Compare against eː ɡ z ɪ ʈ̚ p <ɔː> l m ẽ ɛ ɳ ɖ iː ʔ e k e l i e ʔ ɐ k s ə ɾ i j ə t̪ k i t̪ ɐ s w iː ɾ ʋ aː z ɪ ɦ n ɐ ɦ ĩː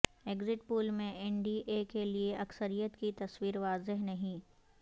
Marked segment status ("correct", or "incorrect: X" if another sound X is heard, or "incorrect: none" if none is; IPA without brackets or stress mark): incorrect: uː